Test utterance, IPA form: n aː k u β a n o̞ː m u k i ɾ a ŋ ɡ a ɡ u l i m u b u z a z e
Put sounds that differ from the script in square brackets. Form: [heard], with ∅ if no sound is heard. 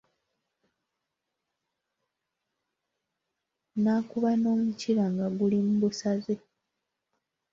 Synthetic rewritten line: n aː k u β a n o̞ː m u [c] i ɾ a ŋ ɡ a ɡ u l i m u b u [s] a z e